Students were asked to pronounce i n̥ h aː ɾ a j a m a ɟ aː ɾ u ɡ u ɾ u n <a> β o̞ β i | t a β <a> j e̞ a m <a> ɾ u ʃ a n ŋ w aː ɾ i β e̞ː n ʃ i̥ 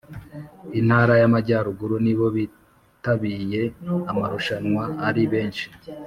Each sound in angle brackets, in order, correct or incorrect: incorrect: i, incorrect: i, correct

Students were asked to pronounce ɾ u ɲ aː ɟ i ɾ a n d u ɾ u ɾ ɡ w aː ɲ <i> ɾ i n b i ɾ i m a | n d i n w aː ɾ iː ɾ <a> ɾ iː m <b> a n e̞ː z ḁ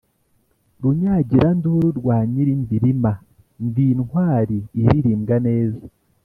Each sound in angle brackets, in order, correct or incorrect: correct, incorrect: i, incorrect: ɡ

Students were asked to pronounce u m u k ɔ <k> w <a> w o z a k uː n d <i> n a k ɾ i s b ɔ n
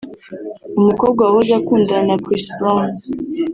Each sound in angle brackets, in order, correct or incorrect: incorrect: ɡ, correct, incorrect: a

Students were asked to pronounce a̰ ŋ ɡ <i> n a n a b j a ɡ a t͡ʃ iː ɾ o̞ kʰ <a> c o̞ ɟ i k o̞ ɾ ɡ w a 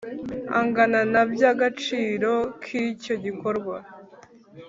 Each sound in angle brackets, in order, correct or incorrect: incorrect: a, incorrect: i

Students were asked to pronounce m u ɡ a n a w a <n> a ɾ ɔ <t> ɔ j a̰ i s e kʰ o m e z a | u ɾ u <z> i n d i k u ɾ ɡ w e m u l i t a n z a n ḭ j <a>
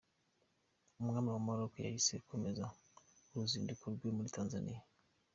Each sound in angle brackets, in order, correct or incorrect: incorrect: m, incorrect: k, correct, correct

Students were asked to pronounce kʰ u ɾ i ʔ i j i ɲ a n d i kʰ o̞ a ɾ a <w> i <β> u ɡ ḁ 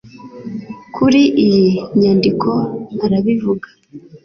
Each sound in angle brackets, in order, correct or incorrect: incorrect: β, incorrect: v

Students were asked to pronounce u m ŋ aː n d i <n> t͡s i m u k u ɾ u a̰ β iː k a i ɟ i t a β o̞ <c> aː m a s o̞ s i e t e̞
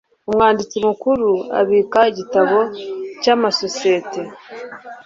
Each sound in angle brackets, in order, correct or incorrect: incorrect: none, correct

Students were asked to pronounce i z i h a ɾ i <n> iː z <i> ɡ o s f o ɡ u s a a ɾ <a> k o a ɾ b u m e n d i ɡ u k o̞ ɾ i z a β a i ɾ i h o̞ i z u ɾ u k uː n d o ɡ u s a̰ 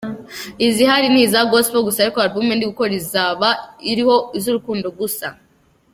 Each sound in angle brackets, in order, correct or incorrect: correct, incorrect: a, incorrect: i

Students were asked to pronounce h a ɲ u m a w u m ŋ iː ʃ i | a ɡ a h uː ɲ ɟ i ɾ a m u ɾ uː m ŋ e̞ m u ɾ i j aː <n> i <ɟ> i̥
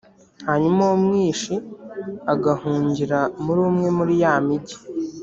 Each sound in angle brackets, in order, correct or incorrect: incorrect: m, correct

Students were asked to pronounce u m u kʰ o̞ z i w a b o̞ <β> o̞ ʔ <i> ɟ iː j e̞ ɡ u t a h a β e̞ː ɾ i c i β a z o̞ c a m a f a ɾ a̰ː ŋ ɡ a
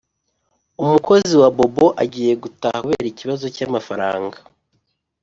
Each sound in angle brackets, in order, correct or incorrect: incorrect: b, incorrect: a

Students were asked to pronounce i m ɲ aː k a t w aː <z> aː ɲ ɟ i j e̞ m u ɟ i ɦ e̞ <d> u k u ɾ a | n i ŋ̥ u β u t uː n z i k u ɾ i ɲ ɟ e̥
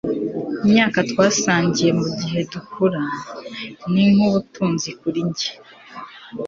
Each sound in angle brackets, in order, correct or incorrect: incorrect: s, correct

